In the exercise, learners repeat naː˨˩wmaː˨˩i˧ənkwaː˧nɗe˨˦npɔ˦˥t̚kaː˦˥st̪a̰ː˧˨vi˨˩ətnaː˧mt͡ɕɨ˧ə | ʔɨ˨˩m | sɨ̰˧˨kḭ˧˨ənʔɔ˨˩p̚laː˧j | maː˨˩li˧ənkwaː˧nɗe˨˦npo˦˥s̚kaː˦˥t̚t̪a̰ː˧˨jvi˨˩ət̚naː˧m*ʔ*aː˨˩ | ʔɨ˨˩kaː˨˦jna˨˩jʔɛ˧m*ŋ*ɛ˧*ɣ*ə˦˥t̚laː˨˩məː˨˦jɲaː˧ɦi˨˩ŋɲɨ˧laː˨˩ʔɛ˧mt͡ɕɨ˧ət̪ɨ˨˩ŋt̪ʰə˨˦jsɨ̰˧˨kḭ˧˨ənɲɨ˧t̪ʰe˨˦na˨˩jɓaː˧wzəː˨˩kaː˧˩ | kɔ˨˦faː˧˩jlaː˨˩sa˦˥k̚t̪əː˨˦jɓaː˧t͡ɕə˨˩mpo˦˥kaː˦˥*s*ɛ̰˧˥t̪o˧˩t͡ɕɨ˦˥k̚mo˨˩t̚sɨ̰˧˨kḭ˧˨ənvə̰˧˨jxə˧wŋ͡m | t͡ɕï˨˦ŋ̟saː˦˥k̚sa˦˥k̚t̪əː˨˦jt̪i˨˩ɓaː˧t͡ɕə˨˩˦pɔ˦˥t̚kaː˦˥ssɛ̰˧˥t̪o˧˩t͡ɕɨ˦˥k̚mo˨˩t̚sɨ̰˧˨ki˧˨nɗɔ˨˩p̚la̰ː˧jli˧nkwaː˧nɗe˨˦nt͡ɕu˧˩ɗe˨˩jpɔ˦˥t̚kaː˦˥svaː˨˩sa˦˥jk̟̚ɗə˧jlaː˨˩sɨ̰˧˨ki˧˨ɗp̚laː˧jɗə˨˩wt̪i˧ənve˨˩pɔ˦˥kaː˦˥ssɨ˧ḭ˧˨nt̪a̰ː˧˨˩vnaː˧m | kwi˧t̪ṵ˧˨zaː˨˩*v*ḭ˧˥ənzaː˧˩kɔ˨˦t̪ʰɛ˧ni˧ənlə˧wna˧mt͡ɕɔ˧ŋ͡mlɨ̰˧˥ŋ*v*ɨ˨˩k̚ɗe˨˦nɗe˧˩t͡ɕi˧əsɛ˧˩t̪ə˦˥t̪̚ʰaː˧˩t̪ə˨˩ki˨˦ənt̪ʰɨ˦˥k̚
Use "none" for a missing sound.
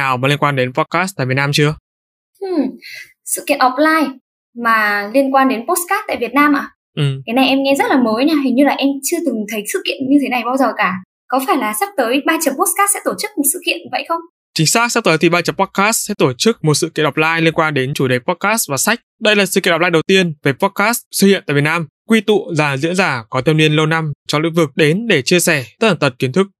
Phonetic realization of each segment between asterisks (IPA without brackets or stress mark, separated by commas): ʔ, ŋ, z, s, z, v